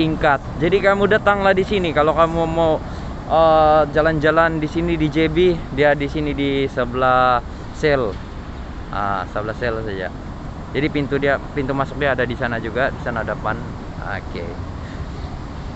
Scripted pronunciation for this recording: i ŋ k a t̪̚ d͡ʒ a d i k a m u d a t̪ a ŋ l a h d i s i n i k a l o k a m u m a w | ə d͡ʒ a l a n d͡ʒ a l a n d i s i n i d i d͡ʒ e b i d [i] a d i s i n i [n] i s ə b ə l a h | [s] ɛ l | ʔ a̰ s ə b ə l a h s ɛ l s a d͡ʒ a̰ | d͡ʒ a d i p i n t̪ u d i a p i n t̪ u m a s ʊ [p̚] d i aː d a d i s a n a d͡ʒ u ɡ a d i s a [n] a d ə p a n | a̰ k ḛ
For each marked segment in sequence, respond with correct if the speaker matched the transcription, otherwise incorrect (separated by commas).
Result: correct, incorrect, correct, incorrect, correct